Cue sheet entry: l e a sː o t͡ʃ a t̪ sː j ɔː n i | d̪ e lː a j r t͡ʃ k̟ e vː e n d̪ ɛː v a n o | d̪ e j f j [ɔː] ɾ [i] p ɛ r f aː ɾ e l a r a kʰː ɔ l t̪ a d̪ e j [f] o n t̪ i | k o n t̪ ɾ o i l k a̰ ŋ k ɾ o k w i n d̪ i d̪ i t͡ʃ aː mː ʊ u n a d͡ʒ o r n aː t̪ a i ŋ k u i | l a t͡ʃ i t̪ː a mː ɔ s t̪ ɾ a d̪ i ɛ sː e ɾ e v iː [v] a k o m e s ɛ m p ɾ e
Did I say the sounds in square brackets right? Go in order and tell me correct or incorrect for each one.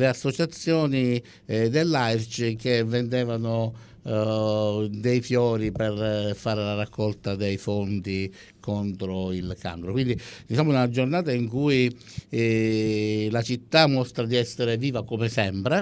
correct, correct, correct, correct

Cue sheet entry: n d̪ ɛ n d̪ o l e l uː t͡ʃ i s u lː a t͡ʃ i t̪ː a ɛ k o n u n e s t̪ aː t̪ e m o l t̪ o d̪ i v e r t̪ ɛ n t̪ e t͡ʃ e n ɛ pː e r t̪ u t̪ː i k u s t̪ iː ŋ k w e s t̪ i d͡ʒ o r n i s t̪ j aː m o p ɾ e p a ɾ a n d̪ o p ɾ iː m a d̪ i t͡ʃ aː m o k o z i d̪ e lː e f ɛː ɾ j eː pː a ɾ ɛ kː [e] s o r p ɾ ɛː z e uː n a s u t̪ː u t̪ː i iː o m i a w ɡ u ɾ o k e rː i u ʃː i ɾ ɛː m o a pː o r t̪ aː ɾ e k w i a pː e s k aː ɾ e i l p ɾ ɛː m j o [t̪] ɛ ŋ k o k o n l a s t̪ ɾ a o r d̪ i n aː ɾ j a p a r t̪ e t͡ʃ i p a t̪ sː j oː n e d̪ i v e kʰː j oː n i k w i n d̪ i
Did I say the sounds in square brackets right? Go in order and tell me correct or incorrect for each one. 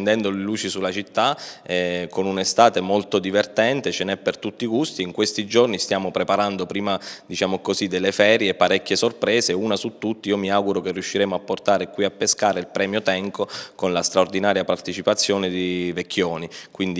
correct, correct

